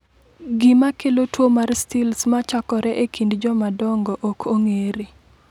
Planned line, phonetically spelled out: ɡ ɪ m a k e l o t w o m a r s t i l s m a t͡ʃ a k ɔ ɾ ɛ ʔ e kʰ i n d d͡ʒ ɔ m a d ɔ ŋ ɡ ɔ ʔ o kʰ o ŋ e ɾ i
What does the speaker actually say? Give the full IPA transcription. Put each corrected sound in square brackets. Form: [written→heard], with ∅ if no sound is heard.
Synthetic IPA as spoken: ɡ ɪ m a k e l o t w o m a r s t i l s m a t͡ʃ a k ɔ ɾ ɛ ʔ e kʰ i n d d͡ʒ ɔ m a d ɔ ŋ ɡ ɔ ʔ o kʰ o ŋ e ɾ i